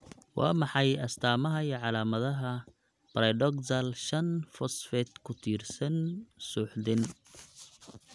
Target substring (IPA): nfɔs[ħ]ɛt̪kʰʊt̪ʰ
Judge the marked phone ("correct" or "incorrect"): incorrect